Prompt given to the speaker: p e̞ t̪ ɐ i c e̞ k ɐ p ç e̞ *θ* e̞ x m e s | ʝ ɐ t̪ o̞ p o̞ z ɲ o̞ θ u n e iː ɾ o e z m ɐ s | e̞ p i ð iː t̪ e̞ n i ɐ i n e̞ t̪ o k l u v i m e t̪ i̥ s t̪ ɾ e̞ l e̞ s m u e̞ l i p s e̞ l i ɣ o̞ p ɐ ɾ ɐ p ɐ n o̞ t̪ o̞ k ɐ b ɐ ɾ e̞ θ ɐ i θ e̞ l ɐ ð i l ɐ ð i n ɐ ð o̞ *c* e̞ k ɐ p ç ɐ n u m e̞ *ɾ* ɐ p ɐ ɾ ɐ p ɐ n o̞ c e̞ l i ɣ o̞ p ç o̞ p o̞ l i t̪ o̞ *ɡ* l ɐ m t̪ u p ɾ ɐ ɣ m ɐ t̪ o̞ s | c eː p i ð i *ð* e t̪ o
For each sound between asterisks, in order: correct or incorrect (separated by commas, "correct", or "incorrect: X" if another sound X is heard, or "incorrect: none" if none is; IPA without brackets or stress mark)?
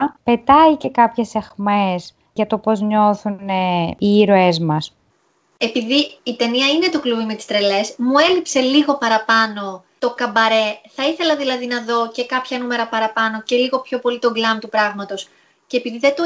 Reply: incorrect: s, correct, correct, correct, correct